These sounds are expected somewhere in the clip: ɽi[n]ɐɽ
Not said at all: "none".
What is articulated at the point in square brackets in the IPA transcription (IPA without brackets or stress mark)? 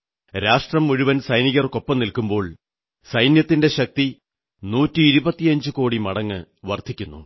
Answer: m